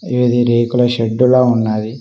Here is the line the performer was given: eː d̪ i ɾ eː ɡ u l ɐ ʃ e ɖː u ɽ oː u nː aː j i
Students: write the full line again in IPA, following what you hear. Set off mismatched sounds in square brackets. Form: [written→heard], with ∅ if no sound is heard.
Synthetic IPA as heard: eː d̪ i ɾ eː [ɡ→k] u l ɐ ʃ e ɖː u [ɽ→l] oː u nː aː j i